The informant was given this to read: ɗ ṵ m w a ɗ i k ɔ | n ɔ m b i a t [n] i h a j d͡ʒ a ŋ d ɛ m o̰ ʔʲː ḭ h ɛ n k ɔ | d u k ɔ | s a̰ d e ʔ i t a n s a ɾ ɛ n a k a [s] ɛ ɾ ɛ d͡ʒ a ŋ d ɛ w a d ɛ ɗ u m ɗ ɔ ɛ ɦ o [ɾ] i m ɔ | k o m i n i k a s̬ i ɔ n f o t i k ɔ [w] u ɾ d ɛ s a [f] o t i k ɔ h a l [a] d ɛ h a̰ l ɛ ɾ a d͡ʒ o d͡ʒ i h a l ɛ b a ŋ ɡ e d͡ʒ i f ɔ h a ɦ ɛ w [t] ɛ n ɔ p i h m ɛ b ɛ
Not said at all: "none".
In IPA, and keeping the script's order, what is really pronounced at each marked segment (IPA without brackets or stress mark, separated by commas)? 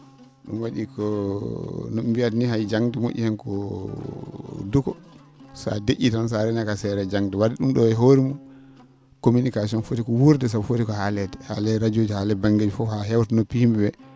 n, s, ɾ, w, f, ɛ, t